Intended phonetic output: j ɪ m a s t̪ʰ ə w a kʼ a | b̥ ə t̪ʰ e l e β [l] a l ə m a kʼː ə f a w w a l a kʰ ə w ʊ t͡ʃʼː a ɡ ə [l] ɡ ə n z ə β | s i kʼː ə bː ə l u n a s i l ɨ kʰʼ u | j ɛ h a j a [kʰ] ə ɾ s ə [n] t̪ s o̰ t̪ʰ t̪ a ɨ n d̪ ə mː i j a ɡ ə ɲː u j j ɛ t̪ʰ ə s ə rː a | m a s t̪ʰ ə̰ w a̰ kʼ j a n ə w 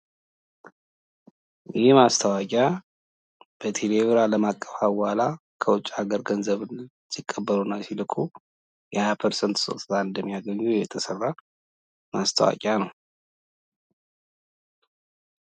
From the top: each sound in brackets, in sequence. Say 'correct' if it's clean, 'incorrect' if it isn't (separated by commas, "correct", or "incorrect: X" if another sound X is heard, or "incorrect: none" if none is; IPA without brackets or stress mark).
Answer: incorrect: ɾ, incorrect: ɾ, incorrect: pʰ, correct